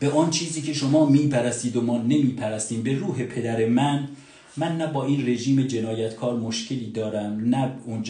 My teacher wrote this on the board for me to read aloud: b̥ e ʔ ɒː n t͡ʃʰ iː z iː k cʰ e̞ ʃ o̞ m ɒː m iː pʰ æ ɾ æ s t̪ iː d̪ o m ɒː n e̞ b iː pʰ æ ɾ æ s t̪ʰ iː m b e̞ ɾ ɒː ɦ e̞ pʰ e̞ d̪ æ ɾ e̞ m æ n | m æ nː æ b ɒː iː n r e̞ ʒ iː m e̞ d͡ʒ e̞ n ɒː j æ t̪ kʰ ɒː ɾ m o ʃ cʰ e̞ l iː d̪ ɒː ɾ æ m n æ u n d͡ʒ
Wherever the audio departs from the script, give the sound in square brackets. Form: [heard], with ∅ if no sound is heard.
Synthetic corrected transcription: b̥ e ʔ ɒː n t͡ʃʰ iː z iː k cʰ e̞ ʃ o̞ m ɒː m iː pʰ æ ɾ æ s t̪ iː d̪ o m ɒː n e̞ [m] iː pʰ æ ɾ æ s [t̪] iː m b e̞ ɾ [uː] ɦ e̞ pʰ e̞ d̪ æ ɾ e̞ m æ n | m æ nː æ b ɒː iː n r e̞ ʒ iː m e̞ d͡ʒ e̞ n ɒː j æ t̪ kʰ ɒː ɾ m o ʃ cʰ e̞ l iː d̪ ɒː ɾ æ m n æ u n d͡ʒ

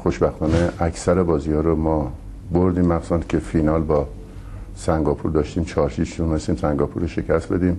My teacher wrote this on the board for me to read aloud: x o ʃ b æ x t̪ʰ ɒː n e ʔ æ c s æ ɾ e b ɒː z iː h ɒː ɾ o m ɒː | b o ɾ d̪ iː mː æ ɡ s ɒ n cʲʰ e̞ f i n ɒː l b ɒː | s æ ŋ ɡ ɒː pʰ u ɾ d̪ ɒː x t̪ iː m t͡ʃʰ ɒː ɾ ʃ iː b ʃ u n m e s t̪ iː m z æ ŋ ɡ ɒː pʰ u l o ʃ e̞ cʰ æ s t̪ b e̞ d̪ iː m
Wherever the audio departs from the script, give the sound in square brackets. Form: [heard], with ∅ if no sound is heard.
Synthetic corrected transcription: x o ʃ b æ x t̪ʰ ɒː n e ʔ æ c s æ ɾ e b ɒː z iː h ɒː ɾ o m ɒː | b o ɾ d̪ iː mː æ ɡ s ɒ n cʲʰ e̞ f i n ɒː l b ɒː | s æ ŋ ɡ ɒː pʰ u ɾ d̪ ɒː [ʃ] t̪ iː m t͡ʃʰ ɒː ɾ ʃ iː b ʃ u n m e s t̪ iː m [s] æ ŋ ɡ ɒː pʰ u [ɾ] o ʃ e̞ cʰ æ s t̪ b e̞ d̪ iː m

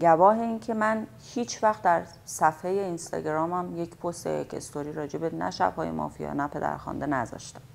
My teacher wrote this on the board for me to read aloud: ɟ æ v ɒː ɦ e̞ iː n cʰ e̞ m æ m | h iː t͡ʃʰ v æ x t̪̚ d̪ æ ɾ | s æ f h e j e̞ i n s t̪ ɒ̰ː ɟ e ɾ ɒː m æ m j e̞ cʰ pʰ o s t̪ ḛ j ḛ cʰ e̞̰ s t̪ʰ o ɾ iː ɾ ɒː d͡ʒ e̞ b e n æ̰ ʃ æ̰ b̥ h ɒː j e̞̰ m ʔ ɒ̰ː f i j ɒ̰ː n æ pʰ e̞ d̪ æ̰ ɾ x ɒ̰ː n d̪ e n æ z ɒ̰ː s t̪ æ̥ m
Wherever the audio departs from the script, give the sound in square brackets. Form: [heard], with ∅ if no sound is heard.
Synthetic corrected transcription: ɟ æ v ɒː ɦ e̞ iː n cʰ e̞ m æ [n] | h iː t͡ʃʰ v æ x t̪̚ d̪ æ ɾ | s æ f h e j e̞ i n s t̪ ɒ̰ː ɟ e ɾ ɒː m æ m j e̞ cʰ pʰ o s t̪ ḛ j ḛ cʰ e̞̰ s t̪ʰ o ɾ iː ɾ ɒː d͡ʒ e̞ b e n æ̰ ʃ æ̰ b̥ h ɒː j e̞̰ m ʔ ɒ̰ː f i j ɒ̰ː n æ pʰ e̞ d̪ æ̰ ɾ x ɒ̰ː n d̪ e n æ z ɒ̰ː [ʃ] t̪ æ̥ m

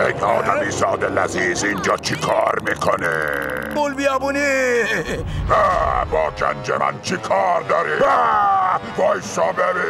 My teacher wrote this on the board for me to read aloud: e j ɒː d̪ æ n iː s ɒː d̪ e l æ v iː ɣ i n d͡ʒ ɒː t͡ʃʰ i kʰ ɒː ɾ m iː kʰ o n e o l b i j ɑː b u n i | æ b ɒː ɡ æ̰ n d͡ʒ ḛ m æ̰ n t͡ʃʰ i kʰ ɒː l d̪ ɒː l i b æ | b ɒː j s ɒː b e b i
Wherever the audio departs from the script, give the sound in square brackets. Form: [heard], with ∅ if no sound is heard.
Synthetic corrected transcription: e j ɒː d̪ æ [m] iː s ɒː d̪ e l æ [z] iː [z] i n d͡ʒ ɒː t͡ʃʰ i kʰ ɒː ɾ m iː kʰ o n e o l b i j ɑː b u n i | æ b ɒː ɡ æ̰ n d͡ʒ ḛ m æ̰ n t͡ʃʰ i kʰ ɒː [ɾ] d̪ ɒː [ɾ] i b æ | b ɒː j s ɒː b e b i

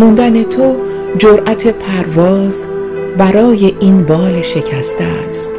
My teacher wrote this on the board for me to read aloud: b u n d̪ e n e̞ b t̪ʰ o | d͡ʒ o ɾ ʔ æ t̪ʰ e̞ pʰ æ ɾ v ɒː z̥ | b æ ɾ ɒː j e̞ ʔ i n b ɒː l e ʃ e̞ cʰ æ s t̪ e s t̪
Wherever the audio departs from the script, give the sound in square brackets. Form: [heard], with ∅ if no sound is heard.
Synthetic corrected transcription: [m] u n d̪ [æ] n e̞ [∅] t̪ʰ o | d͡ʒ o ɾ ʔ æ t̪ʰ e̞ pʰ æ ɾ v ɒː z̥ | b æ ɾ ɒː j e̞ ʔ i n b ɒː l e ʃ e̞ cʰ æ s t̪ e s t̪

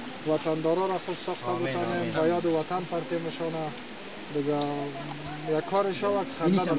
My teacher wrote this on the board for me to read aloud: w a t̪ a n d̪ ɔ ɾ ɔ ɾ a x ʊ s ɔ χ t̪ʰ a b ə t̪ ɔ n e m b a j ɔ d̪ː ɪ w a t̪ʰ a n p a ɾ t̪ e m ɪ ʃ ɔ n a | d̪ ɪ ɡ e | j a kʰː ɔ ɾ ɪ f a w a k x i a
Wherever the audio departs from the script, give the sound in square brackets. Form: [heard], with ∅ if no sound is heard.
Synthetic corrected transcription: w a t̪ a n d̪ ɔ ɾ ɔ ɾ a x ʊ s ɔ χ [t̪] a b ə t̪ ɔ n e m b a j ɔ [d̪] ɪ w a [t̪] a n p a ɾ t̪ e m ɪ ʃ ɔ n a | d̪ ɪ ɡ [a] | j a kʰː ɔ ɾ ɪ [ʃ] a w a k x [a] a

